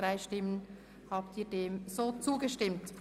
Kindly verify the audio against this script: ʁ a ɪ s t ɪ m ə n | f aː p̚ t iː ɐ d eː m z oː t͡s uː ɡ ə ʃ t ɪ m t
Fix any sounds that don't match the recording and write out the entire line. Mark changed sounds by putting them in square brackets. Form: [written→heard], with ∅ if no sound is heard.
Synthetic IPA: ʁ a ɪ [s→ʃ] t ɪ m ə n | [f→h] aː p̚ t iː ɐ d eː m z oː t͡s uː ɡ ə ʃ t ɪ m t